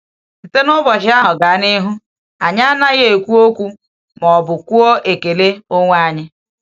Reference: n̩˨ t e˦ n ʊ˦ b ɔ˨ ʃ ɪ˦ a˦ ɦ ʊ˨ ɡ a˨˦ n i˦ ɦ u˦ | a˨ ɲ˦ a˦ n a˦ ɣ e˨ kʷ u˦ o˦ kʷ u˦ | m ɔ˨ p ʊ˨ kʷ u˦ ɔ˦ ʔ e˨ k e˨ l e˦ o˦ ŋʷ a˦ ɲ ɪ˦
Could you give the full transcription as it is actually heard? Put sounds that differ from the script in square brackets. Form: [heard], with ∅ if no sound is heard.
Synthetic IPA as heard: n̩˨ t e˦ n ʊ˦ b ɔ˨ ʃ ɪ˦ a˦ ɦ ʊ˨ ɡ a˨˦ n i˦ ɦ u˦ | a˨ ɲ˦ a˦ n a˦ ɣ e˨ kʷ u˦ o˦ kʷ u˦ | m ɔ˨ [b] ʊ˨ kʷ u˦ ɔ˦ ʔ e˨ k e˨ l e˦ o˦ ŋʷ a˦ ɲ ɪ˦